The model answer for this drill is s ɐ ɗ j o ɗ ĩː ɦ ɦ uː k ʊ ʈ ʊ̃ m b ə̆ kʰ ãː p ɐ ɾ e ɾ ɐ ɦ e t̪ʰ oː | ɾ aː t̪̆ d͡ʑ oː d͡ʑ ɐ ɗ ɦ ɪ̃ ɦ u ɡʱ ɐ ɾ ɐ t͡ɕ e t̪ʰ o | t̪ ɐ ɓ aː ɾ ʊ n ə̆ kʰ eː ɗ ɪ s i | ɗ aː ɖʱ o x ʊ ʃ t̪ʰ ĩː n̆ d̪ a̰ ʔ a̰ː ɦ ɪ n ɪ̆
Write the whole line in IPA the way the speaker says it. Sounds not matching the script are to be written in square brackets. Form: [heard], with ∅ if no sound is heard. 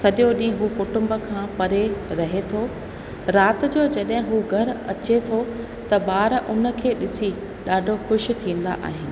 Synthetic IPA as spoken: s ɐ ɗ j o ɗ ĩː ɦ ɦ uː k ʊ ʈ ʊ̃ m b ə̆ kʰ ãː p ɐ ɾ e ɾ ɐ ɦ e t̪ʰ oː | ɾ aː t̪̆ d͡ʑ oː d͡ʑ ɐ ɗ ɦ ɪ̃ ɦ u ɡʱ ɐ ɾ ɐ t͡ɕ e t̪ʰ o | t̪ ɐ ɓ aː ɾ ʊ n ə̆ kʰ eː ɗ ɪ s i | ɗ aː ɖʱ o x ʊ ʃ t̪ʰ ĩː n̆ d̪ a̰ ʔ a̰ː ɦ ɪ n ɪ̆

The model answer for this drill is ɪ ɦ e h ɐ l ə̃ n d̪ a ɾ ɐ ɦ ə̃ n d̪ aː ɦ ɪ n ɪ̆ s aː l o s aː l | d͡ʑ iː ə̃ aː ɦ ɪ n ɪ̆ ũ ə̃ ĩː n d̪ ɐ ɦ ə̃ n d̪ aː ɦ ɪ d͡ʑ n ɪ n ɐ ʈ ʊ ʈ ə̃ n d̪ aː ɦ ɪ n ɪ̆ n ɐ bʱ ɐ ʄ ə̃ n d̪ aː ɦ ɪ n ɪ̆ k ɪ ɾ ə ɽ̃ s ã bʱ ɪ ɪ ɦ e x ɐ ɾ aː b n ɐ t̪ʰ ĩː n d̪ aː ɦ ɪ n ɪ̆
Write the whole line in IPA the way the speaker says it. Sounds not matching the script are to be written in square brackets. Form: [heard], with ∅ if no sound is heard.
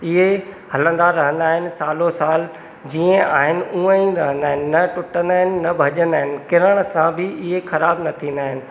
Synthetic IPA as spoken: ɪ ɦ e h ɐ l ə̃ n d̪ a ɾ ɐ ɦ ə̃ n d̪ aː ɦ ɪ n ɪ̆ s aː l o s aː l | d͡ʑ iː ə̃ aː ɦ ɪ n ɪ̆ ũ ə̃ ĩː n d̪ ɐ ɦ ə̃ n d̪ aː ɦ ɪ [∅] n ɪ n ɐ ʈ ʊ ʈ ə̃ n d̪ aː ɦ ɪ n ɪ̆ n ɐ bʱ ɐ ʄ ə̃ n d̪ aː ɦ ɪ n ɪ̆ k ɪ ɾ ə ɽ̃ s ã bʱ ɪ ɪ ɦ e x ɐ ɾ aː b n ɐ t̪ʰ ĩː n d̪ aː ɦ ɪ n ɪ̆

